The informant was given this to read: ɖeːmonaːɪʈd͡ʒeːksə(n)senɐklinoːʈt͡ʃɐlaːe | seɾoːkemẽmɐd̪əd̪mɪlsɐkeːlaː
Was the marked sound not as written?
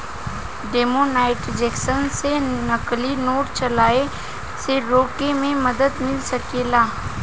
no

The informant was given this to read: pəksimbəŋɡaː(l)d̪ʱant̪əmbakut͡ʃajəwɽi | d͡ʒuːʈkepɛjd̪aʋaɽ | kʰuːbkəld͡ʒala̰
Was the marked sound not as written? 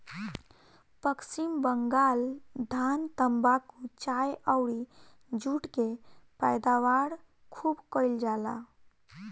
no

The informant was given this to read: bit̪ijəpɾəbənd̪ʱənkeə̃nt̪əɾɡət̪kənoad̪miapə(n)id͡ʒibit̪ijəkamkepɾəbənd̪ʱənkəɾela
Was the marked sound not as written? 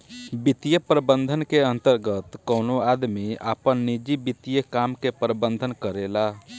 yes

